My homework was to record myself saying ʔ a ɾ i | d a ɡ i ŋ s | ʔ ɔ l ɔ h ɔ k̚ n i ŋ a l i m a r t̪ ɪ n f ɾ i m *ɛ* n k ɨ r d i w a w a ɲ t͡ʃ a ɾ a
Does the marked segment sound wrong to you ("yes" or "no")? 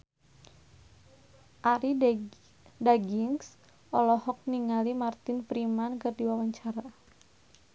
yes